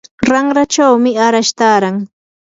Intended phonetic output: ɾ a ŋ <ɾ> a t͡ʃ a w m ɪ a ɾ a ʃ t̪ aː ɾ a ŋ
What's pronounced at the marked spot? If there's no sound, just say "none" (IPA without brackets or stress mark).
ɾ